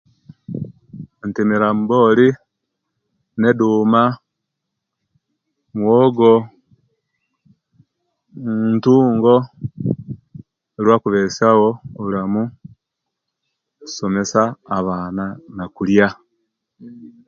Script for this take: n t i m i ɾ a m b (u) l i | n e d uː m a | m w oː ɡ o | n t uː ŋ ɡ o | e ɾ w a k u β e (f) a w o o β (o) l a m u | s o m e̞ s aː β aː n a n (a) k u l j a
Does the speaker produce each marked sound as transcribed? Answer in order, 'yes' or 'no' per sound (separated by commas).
no, no, no, yes